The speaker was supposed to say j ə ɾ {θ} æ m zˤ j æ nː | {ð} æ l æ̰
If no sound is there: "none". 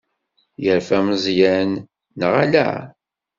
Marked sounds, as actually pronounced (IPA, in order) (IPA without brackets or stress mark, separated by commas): f, ʁ